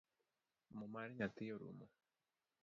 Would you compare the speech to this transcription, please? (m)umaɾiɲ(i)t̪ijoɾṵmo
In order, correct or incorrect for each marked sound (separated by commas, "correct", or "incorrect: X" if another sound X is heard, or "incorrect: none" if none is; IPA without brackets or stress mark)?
correct, incorrect: a